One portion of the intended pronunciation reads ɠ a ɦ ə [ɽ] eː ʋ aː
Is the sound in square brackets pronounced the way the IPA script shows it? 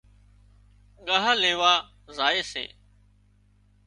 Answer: no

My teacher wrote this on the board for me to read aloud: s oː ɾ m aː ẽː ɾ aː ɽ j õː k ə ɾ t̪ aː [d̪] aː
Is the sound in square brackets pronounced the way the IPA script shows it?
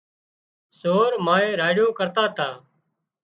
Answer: no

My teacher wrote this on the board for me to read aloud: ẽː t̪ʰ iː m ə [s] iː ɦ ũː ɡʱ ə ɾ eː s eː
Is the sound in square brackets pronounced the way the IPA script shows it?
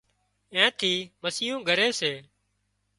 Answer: yes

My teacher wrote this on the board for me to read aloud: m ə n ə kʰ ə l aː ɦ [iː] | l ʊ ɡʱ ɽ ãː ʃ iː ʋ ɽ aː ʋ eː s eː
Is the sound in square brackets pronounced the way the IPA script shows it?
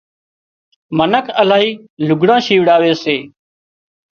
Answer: yes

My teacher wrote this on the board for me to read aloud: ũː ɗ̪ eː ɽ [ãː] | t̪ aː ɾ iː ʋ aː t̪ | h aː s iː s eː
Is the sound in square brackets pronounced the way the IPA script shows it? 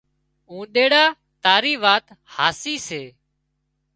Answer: no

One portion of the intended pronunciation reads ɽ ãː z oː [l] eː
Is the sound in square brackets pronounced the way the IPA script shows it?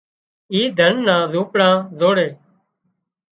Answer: no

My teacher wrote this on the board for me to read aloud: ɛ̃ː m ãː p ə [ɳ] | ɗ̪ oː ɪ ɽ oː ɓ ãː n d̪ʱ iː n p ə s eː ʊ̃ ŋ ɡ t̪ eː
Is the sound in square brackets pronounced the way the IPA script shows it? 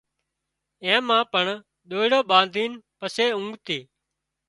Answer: yes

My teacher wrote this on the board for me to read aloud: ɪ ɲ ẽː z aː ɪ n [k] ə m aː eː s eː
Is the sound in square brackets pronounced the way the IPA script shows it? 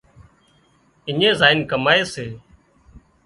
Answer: yes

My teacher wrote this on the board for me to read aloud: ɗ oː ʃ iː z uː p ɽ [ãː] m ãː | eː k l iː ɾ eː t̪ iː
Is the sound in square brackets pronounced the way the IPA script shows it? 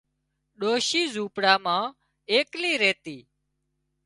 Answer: no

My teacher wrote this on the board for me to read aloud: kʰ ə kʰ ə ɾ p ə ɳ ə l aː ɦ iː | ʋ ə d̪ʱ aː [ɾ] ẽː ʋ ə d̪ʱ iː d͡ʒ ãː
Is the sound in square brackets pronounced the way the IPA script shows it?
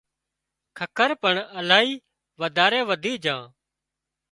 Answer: yes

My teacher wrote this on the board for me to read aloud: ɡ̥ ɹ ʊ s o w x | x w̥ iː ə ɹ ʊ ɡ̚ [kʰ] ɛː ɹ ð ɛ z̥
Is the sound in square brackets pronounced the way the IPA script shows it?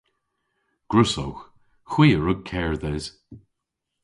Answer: yes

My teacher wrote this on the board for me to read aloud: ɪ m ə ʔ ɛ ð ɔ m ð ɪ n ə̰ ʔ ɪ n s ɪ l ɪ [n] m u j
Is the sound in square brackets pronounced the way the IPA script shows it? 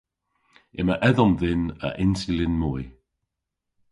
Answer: yes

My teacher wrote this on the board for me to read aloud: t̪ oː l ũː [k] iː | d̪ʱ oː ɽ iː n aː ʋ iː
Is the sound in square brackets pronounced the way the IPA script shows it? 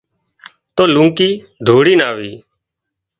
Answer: yes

